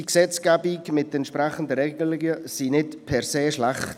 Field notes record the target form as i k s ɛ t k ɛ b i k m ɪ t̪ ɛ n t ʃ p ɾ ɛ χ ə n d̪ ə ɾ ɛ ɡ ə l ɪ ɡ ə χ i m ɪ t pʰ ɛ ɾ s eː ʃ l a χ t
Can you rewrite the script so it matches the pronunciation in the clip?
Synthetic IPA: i k s ɛ t͡s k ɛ b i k m ɪ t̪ ɛ n t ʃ p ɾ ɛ χ ə n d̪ ə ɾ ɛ ɡ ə l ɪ ɡ ə s i n ɪ t pʰ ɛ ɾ s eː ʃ l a χ t